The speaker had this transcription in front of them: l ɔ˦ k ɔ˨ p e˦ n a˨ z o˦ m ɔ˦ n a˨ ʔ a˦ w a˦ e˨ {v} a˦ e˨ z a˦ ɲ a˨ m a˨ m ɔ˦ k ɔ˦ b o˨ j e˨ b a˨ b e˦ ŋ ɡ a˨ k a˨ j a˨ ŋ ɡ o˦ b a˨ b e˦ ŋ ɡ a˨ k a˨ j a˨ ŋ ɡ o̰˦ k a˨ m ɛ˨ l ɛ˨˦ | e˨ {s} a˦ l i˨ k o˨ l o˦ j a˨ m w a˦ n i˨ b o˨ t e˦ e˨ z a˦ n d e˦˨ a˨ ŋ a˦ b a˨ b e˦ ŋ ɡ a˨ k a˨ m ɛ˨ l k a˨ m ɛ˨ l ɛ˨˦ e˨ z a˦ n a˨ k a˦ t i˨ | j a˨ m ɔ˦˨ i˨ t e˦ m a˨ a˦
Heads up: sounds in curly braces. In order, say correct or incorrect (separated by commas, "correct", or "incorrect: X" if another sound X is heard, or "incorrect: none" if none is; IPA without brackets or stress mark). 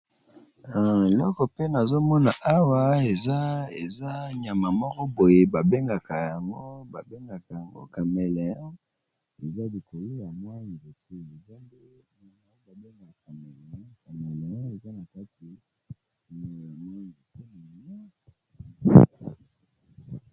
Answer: incorrect: z, incorrect: z